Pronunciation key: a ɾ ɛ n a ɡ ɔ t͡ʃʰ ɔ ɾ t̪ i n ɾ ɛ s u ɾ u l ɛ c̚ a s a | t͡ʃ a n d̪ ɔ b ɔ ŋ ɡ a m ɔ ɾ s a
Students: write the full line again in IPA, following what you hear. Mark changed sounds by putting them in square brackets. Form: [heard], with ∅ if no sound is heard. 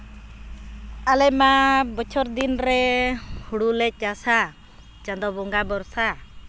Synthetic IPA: a [l] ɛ [m] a [b] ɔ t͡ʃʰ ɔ ɾ [d̪] i n ɾ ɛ [h] u [ɽ] u l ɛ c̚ a s a | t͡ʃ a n d̪ ɔ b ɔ ŋ ɡ a [b] ɔ ɾ s a